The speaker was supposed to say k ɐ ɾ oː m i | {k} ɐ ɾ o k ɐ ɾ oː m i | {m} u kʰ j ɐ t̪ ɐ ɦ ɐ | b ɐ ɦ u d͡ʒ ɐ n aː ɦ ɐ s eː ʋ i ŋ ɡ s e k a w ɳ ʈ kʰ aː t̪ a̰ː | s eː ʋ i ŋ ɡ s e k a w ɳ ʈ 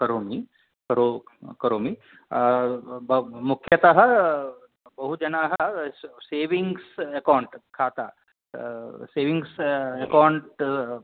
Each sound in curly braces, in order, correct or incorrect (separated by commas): correct, correct